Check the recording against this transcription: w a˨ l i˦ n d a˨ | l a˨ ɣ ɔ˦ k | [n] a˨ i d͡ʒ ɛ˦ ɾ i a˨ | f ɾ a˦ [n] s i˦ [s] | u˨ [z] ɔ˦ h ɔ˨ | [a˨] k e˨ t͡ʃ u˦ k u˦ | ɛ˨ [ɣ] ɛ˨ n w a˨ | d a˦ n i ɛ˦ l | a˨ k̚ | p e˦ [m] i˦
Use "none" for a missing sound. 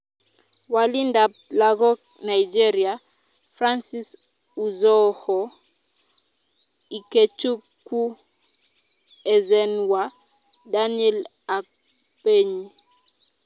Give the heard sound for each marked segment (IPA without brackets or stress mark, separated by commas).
n, n, s, z, i˨, z, ɲ